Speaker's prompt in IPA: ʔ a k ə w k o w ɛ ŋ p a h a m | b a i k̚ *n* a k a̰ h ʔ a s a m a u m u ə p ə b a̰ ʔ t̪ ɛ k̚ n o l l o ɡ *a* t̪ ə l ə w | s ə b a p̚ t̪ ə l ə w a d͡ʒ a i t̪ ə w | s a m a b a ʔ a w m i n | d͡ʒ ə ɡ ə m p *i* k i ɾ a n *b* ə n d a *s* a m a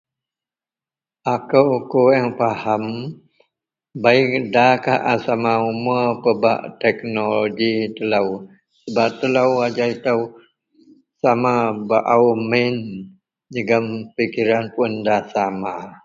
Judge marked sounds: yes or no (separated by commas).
no, no, yes, no, yes